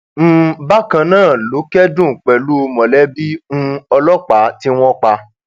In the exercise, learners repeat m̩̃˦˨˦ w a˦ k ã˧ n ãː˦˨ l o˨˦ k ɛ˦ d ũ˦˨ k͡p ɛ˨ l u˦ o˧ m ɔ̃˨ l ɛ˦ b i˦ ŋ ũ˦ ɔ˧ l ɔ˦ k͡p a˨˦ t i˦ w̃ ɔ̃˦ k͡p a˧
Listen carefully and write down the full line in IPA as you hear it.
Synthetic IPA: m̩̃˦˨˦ b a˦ k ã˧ n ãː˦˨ l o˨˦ k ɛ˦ d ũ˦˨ k͡p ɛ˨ l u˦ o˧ m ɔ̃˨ l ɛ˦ b i˦ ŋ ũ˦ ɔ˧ l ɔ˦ k͡p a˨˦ t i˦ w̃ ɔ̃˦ k͡p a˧